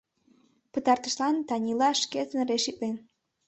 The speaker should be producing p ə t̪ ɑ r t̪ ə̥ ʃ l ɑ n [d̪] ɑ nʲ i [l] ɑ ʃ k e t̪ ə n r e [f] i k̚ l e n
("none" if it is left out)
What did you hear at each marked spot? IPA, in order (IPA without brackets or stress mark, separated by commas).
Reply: t̪, l, ʃ